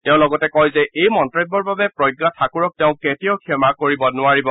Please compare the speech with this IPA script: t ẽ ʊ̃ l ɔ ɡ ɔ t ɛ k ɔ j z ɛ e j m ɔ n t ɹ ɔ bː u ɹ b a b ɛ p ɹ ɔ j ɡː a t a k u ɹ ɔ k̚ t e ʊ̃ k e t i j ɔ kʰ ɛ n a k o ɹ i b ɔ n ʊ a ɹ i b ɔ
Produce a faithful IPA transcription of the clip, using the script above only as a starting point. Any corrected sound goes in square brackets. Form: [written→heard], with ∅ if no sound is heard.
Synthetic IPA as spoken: t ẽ ʊ̃ l ɔ ɡ ɔ t ɛ k ɔ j z ɛ e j m ɔ n t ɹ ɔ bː [u→ɔ] ɹ b a b ɛ p ɹ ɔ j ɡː a [t→tʰ] a k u ɹ ɔ k̚ t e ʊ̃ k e t i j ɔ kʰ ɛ [n→m] a k o ɹ i b ɔ n ʊ a ɹ i b ɔ